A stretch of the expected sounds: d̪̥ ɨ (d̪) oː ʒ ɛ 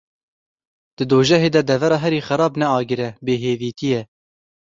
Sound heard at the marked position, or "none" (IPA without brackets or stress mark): d̪